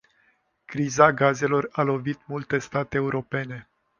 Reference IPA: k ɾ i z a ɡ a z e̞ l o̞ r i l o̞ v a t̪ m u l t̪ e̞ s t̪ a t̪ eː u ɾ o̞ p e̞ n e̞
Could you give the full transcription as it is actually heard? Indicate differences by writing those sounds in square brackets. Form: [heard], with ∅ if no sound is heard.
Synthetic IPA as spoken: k ɾ i z a ɡ a z e̞ l o̞ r [a] l o̞ v [i] t̪ m u l t̪ e̞ s t̪ a t̪ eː u ɾ o̞ p e̞ n e̞